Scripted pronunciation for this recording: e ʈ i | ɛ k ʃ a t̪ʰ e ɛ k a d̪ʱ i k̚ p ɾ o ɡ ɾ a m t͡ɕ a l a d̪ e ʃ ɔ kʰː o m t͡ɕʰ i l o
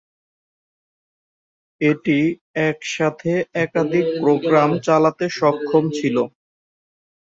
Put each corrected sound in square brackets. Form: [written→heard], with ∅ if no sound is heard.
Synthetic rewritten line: e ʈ i | ɛ k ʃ a t̪ʰ e ɛ k a d̪ʱ i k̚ p ɾ o ɡ ɾ a m t͡ɕ a l a [d̪→t̪] e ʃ ɔ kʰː o m t͡ɕʰ i l o